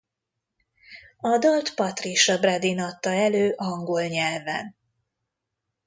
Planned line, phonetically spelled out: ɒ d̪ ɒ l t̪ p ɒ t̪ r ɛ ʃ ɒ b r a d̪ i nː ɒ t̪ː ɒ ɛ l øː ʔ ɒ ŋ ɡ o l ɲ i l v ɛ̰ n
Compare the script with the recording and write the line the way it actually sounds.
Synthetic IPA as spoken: ɒ d̪ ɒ l t̪ p ɒ t̪ r i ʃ ɒ b r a d̪ i n ɒ t̪ː ɒ ɛ l øː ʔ ɒ ŋ ɡ o l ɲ ɛ l v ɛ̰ n

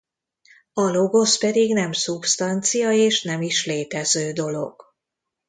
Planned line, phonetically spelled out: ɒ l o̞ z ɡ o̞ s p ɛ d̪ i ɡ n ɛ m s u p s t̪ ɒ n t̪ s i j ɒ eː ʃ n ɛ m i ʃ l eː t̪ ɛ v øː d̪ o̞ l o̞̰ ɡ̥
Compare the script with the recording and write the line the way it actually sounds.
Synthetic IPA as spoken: ɒ l o̞ ɡ o̞ s p ɛ d̪ i ɡ n ɛ m s u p s t̪ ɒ n t̪ s i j ɒ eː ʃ n ɛ m i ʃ l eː t̪ ɛ z øː d̪ o̞ l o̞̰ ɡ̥

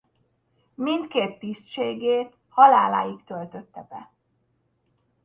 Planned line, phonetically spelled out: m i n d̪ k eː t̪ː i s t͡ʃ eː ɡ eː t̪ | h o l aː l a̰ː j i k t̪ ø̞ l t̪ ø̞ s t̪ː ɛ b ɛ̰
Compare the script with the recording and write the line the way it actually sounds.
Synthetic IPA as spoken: m i n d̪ k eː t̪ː i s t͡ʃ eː ɡ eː t̪ | h ɒ l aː l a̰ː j i k t̪ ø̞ l t̪ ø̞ t̪ː ɛ b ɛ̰

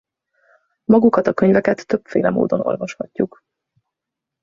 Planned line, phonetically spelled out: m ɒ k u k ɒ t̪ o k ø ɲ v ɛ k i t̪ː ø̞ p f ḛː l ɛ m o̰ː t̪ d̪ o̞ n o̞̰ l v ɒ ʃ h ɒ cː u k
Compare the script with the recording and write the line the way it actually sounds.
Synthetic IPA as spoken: m ɒ ɡ u k ɒ t̪ ɒ k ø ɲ v ɛ k ɛ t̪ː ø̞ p f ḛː l ɛ m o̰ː d̪ o̞ n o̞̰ l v ɒ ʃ h ɒ cː u k

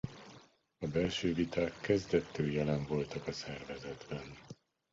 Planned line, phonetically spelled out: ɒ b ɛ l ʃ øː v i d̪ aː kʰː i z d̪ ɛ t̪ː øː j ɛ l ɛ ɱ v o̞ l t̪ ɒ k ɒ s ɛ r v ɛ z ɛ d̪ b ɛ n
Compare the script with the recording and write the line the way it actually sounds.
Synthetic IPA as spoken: ɒ b ɛ l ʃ øː v i t̪ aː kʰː ɛ z d̪ ɛ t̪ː øː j ɛ l ɛ ɱ v o̞ l t̪ ɒ k ɒ s ɛ r v ɛ z ɛ d̪ b ɛ n

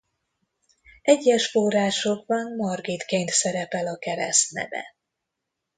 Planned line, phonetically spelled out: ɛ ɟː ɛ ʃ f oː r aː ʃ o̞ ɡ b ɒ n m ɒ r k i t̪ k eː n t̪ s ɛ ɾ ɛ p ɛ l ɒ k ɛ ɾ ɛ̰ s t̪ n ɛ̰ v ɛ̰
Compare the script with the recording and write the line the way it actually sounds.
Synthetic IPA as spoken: ɛ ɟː ɛ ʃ f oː r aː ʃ o̞ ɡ b ɒ n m ɒ r ɡ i t̪ k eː n t̪ s ɛ ɾ ɛ p ɛ l ɒ k ɛ ɾ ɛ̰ s t̪ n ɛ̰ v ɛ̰

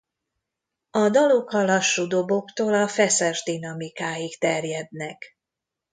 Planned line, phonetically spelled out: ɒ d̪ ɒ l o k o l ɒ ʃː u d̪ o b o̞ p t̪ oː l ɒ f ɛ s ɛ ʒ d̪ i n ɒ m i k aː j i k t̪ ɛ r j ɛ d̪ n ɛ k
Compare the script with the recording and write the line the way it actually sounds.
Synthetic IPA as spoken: ɒ d̪ ɒ l o k ɒ l ɒ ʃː u d̪ o b o̞ k t̪ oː l ɒ f ɛ s ɛ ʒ d̪ i n ɒ m i k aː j i k t̪ ɛ r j ɛ d̪ n ɛ k

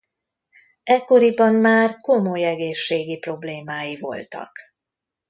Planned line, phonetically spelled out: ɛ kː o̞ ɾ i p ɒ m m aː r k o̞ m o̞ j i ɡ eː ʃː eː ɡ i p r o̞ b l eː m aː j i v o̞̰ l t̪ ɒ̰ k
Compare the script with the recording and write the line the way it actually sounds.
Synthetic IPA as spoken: ɛ kː o̞ ɾ i b ɒ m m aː r k o̞ m o̞ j ɛ ɡ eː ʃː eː ɡ i p r o̞ b l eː m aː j i v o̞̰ l t̪ ɒ̰ k

